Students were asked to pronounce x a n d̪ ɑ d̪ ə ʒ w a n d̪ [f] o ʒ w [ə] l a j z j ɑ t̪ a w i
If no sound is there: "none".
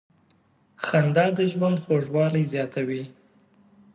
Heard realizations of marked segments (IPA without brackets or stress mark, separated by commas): x, ɑ